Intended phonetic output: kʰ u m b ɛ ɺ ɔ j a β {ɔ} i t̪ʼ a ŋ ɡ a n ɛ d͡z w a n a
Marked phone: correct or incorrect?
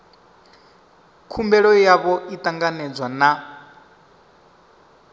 correct